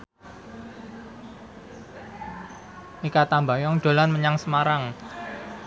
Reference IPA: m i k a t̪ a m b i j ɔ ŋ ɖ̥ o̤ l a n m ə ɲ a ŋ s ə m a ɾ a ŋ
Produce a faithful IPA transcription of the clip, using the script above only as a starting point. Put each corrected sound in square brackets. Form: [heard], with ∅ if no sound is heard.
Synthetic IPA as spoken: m i k a t̪ a m b [a] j ɔ ŋ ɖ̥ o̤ l a n m ə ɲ a ŋ s ə m a ɾ a ŋ